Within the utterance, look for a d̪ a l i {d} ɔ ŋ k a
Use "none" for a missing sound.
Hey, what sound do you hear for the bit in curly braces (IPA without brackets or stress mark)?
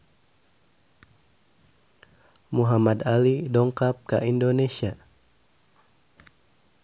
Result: d